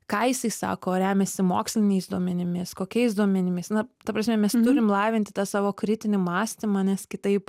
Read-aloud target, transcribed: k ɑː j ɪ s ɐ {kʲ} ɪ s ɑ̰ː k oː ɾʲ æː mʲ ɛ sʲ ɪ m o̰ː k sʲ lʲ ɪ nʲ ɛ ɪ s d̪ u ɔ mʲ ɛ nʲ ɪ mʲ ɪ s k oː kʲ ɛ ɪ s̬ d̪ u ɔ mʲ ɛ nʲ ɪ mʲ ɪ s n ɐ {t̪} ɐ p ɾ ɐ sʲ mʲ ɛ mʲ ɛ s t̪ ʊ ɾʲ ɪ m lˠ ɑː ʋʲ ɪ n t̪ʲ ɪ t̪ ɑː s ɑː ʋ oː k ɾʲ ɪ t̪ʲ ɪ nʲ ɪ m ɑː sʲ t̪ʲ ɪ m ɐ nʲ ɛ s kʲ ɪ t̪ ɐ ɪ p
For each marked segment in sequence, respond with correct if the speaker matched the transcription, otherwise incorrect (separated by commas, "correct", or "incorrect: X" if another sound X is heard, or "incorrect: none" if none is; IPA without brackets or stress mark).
incorrect: none, correct